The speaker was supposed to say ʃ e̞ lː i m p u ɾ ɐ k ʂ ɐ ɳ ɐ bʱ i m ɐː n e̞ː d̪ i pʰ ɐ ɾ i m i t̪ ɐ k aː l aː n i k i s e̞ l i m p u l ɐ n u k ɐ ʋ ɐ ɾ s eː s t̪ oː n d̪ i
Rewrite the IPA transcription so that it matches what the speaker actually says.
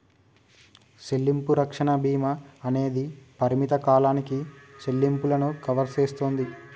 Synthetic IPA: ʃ e̞ lː i m p u ɾ ɐ k ʂ ɐ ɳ ɐ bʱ iː m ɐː n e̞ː d̪ i p ɐ ɾ i m i t̪ ɐ k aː l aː n i k i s e̞ lː i m p u l ɐ n u k ɐ ʋ ɐ ɾ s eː s t̪ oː n d̪ i

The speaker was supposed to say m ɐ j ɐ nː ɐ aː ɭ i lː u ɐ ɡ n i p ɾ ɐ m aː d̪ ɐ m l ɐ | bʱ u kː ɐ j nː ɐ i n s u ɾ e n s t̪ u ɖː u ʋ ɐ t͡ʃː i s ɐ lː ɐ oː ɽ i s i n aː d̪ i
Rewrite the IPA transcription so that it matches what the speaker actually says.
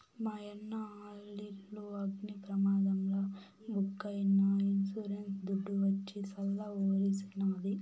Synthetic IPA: m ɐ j ɐ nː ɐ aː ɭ i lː u ɐ ɡ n i p ɾ ɐ m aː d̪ ɐ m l ɐ | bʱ u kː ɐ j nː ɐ i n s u ɾ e n s d̪ u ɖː u ʋ ɐ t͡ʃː i s ɐ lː ɐ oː ɾ i s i n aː d̪ i

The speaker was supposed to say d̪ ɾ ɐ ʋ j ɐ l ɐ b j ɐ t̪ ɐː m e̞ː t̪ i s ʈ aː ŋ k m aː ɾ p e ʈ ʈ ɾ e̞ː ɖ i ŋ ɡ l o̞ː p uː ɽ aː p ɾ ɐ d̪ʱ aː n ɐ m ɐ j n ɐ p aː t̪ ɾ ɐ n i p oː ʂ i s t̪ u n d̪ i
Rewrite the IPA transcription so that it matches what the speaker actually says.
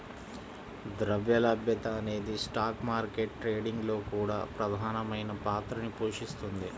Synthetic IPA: d̪ ɾ ɐ ʋ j ɐ l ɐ b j ɐ t̪ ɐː n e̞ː d̪ i s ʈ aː k m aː ɾ k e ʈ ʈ ɾ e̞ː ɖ i ŋ ɡ l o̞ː k uː ɽ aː p ɾ ɐ d̪ʱ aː n ɐ m ɐ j n ɐ p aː t̪ ɾ ɐ n i p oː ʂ i s t̪ u n d̪ i

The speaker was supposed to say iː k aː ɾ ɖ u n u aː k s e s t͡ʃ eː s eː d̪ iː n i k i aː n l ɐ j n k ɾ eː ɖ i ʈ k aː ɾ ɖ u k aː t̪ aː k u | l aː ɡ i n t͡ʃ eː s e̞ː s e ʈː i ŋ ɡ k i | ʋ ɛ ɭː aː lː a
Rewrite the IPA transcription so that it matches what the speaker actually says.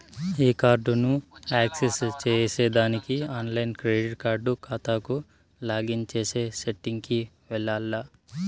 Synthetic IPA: iː k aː ɾ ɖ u n u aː k s e s t͡ʃ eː s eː d̪ aː n i k i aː n l ɐ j n k ɾ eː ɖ i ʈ k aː ɾ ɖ u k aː t̪ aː k u | l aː ɡ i n t͡ʃ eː s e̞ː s e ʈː i ŋ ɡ k i | ʋ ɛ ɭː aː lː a

